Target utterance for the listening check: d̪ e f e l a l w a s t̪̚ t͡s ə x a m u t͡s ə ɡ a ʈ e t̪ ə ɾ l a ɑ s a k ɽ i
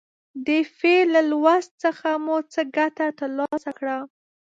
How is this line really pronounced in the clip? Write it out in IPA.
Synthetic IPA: d̪ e f e l a l w a s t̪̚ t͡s ə x a m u t͡s ə ɡ a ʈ a t̪ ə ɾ l ɑ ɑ s a k ɽ a